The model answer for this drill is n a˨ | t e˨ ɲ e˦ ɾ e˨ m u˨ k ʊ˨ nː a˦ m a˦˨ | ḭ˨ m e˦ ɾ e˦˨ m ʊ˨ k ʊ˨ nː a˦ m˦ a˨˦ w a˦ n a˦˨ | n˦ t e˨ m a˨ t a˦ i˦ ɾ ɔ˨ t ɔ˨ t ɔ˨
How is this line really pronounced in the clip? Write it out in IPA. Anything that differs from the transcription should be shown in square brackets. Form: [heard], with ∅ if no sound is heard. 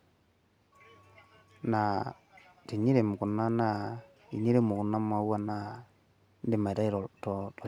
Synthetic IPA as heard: n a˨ | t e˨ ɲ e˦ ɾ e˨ m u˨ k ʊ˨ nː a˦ [n] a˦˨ | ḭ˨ [ɲ] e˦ ɾ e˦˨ m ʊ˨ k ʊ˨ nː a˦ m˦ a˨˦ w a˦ n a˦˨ | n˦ [d] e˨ m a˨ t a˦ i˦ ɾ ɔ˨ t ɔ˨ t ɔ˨

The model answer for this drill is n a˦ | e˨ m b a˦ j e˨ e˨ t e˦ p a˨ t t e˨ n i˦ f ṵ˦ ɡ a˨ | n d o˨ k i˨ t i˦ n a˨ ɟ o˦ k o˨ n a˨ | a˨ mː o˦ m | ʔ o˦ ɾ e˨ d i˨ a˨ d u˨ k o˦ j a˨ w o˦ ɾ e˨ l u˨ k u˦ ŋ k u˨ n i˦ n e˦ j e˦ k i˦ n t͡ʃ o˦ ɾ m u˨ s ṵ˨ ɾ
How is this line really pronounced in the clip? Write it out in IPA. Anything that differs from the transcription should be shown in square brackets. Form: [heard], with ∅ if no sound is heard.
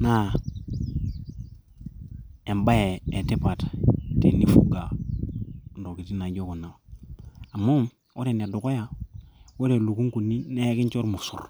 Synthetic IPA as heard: n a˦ | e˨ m b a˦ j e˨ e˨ t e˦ p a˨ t t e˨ n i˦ f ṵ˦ ɡ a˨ | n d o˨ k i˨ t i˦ n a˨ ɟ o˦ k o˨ n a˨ | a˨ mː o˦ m | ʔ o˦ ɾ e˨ [n] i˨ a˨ d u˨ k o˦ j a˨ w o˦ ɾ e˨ l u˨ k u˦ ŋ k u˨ n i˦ n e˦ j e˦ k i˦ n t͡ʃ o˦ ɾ m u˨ s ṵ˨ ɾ

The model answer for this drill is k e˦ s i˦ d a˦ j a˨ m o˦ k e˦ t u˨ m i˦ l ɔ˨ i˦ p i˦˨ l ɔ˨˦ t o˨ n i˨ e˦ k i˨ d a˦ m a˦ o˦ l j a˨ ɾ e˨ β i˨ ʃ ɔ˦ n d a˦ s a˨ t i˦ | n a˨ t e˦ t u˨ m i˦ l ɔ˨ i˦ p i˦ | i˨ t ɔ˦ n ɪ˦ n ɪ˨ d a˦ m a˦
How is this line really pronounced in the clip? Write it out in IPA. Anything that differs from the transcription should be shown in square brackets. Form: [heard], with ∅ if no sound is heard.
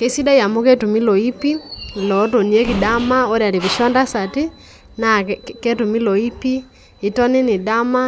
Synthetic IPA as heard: k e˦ s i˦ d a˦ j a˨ m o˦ k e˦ t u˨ m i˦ l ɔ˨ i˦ p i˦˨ l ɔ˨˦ t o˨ n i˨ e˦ k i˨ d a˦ m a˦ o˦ [ɾ] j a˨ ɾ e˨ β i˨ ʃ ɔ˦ n d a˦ s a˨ t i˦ | n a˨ [k] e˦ t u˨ m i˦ l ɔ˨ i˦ p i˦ | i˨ t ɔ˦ n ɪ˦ n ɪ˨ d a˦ m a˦

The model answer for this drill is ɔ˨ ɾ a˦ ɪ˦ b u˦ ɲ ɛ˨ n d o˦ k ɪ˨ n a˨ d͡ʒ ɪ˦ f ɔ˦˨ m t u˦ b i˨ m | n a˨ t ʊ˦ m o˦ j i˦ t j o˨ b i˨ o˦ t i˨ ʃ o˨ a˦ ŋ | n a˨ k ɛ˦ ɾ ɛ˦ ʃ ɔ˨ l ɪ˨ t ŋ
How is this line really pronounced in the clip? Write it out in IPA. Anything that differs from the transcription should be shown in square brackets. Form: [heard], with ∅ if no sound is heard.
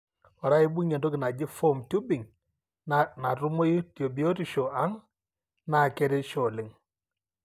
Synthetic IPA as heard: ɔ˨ ɾ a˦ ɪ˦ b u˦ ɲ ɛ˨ n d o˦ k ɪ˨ n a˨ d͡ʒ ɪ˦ f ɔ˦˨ m t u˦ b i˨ [ŋ] | n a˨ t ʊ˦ m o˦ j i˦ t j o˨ b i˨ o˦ t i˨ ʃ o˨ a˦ ŋ | n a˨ k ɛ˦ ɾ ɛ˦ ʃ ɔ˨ l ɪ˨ [∅] ŋ

